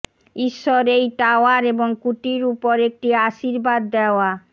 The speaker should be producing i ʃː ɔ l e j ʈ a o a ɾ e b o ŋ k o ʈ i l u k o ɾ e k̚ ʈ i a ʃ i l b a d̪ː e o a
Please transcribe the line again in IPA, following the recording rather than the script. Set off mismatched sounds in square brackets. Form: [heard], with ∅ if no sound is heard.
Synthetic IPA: i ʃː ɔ [ɾ] e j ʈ a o a ɾ e b o ŋ k [u] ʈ i [ɾ] u [p] o ɾ e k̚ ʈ i a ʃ i [ɾ] b a d̪ː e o a